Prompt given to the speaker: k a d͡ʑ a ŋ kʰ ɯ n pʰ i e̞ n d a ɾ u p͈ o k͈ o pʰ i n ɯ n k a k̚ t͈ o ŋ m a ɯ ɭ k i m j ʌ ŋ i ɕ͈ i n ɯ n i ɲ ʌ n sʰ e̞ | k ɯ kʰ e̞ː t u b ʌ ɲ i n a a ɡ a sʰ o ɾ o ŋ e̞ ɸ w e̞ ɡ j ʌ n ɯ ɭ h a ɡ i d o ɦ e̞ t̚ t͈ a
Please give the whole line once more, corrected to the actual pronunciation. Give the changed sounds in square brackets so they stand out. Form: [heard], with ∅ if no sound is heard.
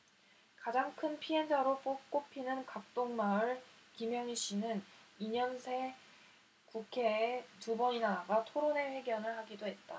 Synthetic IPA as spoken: k a d͡ʑ a ŋ kʰ ɯ n pʰ i e̞ n [d͡ʑ] a ɾ [o] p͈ o k͈ o pʰ i n ɯ n k a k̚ t͈ o ŋ m a ɯ ɭ k i m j ʌ ŋ i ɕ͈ i n ɯ n i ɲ ʌ n sʰ e̞ | k [u] kʰ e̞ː t u b ʌ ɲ i n a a ɡ a [tʰ] o ɾ o [n] e̞ ɸ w e̞ ɡ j ʌ n ɯ ɭ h a ɡ i d o ɦ e̞ t̚ t͈ a

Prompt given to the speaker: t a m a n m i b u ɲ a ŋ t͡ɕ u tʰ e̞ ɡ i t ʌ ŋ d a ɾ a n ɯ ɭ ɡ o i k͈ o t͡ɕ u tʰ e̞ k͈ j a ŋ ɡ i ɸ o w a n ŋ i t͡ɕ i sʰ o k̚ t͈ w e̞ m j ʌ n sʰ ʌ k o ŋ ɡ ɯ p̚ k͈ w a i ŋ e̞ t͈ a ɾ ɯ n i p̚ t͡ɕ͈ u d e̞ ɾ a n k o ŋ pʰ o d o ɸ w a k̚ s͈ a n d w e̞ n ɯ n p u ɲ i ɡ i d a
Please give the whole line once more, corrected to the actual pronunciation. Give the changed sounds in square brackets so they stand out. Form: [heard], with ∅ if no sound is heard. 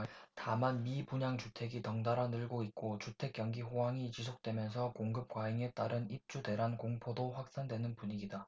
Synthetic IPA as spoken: t a m a n m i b u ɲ a ŋ t͡ɕ u tʰ e̞ ɡ i t ʌ ŋ d a ɾ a n ɯ ɭ ɡ o i k͈ o t͡ɕ u tʰ e̞ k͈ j [ʌ] ŋ ɡ i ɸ o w a [∅] ŋ i t͡ɕ i sʰ o k̚ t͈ w e̞ m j ʌ n sʰ ʌ k o ŋ ɡ ɯ p̚ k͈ w a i ŋ e̞ t͈ a ɾ ɯ n i p̚ t͡ɕ͈ u d e̞ ɾ a n k o ŋ pʰ o d o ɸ w a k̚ s͈ a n d w e̞ n ɯ n p u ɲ i ɡ i d a

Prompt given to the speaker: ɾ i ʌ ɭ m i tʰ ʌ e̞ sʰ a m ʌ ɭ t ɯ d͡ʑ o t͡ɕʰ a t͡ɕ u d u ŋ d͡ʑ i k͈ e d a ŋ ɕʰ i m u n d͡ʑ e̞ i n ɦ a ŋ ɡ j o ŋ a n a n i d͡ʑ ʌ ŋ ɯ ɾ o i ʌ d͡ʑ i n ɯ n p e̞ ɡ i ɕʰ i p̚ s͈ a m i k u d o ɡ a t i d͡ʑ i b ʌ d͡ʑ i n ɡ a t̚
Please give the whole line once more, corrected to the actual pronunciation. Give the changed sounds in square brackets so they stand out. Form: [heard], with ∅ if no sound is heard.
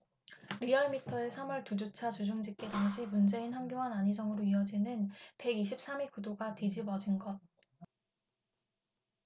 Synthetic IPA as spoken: ɾ i ʌ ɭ m i tʰ ʌ e̞ sʰ a m ʌ ɭ t [u] d͡ʑ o t͡ɕʰ a t͡ɕ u [d͡ʑ] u ŋ d͡ʑ i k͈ e d a ŋ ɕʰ i m u n d͡ʑ e̞ i n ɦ a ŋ ɡ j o ŋ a n a [ɲ] i d͡ʑ ʌ ŋ ɯ ɾ o i ʌ d͡ʑ i n ɯ n p e̞ ɡ i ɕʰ i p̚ s͈ a m i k u d o ɡ a t i d͡ʑ i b ʌ d͡ʑ i n ɡ [ʌ] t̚

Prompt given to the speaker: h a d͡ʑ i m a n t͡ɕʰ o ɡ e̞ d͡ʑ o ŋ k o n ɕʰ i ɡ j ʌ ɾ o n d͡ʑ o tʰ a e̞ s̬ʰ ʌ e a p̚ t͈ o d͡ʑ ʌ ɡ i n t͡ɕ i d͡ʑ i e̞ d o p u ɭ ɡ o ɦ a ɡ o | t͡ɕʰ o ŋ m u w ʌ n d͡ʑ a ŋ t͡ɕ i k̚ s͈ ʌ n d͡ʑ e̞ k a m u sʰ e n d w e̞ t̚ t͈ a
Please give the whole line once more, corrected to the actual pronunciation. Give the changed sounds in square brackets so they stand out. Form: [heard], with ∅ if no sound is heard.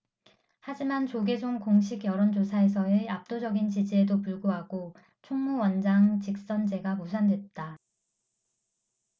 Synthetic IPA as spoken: h a d͡ʑ i m a n [t͡ɕ] o ɡ e̞ d͡ʑ o ŋ k o [ŋ] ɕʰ i ɡ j ʌ ɾ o n d͡ʑ o [sʰ] a e̞ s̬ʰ ʌ e a p̚ t͈ o d͡ʑ ʌ ɡ i n t͡ɕ i d͡ʑ i e̞ d o p u ɭ ɡ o ɦ a ɡ o | t͡ɕʰ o ŋ m u w ʌ n d͡ʑ a ŋ t͡ɕ i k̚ s͈ ʌ n d͡ʑ e̞ [ɡ] a m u sʰ [a] n d w e̞ t̚ t͈ a

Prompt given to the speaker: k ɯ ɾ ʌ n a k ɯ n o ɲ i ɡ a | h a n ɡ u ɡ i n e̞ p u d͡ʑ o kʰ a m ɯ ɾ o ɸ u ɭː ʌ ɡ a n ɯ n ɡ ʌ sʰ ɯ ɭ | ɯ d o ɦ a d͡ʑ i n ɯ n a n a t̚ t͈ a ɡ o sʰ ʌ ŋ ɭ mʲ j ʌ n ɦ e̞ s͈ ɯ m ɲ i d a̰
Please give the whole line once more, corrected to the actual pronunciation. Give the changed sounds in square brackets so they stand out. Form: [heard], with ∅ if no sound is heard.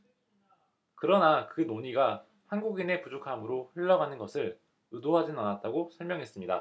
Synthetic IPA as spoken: k ɯ ɾ ʌ n a k ɯ n o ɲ i ɡ a | h a n ɡ u ɡ i n e̞ p u d͡ʑ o kʰ a m ɯ ɾ o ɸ [ɯ] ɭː ʌ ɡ a n ɯ n ɡ ʌ sʰ ɯ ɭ | ɯ d o ɦ a d͡ʑ i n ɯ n a n a t̚ t͈ a ɡ o sʰ ʌ [∅] ɭ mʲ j ʌ [ŋ] ɦ e̞ s͈ ɯ m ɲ i d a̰

